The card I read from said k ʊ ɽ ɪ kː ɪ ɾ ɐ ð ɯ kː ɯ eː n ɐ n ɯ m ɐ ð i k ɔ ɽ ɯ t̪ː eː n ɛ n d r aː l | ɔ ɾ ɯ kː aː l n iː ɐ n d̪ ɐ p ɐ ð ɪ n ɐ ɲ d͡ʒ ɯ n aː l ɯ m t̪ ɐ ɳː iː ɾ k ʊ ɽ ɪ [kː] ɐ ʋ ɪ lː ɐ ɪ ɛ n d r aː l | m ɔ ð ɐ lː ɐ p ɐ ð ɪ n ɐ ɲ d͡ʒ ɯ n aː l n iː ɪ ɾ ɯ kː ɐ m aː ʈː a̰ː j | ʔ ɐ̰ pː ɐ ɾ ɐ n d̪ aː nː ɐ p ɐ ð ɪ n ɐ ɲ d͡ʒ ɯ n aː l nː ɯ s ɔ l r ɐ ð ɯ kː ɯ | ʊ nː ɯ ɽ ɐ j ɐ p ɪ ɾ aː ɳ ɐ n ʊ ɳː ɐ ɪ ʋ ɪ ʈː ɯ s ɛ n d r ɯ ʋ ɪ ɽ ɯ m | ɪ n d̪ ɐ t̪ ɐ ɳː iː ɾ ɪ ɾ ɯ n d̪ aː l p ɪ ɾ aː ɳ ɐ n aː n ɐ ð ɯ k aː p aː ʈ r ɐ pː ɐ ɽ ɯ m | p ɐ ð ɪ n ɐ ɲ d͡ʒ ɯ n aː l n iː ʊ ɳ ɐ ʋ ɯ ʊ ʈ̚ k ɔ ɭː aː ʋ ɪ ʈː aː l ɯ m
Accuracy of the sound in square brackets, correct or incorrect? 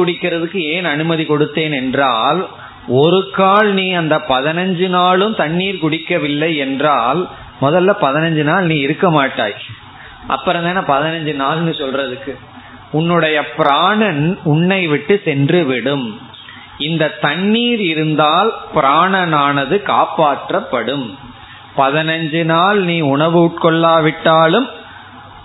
correct